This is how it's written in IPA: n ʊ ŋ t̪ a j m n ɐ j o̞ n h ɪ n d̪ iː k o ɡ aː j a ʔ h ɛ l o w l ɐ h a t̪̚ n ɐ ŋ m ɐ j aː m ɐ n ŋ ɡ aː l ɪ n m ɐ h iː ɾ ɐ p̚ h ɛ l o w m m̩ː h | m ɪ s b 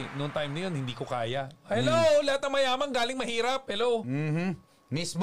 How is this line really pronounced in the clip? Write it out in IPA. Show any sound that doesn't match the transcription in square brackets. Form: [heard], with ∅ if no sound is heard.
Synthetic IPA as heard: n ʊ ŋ t̪ a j m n ɐ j o̞ n h ɪ n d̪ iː k o [k] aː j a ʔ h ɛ l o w l ɐ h a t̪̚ n ɐ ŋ m ɐ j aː m ɐ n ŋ ɡ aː l ɪ [ŋ] m ɐ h iː ɾ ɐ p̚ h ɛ l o w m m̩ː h | m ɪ s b